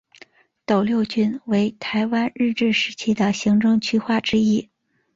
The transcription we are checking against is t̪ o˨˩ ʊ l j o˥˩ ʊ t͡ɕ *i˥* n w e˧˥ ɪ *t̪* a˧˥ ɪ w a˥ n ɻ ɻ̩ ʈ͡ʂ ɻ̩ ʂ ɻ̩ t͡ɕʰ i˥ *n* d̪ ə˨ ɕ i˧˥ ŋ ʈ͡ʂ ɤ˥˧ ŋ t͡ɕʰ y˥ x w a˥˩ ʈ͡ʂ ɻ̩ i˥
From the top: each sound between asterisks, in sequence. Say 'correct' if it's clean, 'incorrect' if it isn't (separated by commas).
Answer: incorrect, incorrect, incorrect